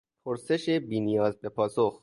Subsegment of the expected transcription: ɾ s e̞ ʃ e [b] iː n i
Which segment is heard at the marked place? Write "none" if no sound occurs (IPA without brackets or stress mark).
b